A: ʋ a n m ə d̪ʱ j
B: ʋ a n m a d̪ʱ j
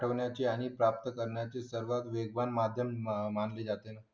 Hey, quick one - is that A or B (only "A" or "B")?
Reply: B